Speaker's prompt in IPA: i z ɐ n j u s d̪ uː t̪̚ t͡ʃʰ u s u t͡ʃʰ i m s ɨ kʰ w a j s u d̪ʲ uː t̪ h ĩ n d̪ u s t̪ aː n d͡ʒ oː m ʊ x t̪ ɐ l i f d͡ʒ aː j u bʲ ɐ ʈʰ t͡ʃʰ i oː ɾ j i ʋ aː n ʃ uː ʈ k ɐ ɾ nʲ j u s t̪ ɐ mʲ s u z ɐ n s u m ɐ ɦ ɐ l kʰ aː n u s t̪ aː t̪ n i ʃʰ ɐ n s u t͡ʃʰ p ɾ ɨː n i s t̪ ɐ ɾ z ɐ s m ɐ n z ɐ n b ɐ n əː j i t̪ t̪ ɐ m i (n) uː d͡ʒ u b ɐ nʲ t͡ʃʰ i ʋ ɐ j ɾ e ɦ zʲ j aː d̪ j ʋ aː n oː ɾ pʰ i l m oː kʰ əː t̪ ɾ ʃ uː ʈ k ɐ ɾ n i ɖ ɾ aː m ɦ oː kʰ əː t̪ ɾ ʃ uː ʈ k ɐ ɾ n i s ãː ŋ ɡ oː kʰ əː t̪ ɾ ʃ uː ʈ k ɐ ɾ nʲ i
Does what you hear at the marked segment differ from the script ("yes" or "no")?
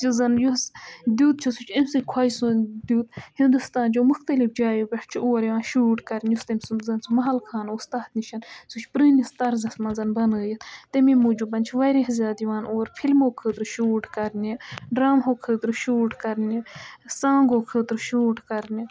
yes